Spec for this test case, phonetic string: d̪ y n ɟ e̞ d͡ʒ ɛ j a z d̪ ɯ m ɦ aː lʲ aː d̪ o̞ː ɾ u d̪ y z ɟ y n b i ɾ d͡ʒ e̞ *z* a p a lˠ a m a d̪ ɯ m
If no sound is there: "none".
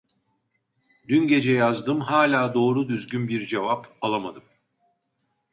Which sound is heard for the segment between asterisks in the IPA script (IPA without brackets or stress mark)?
v